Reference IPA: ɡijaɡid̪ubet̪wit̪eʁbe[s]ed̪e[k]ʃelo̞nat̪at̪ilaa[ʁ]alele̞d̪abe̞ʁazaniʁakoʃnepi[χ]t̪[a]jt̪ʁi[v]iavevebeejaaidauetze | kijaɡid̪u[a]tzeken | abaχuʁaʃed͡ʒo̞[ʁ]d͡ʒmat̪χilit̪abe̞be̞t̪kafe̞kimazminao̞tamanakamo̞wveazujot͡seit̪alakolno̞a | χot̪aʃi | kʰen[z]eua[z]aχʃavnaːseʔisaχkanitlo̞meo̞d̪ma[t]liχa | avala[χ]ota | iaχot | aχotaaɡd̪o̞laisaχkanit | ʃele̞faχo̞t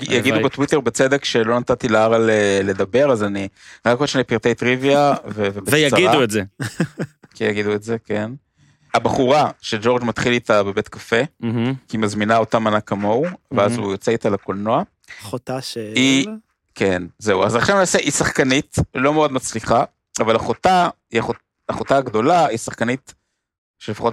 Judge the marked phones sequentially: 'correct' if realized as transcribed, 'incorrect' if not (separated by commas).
incorrect, correct, correct, incorrect, incorrect, correct, incorrect, correct, correct, correct, incorrect, correct